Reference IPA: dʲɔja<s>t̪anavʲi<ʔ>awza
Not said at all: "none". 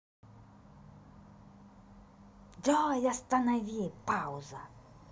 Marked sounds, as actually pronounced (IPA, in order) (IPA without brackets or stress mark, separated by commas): s, p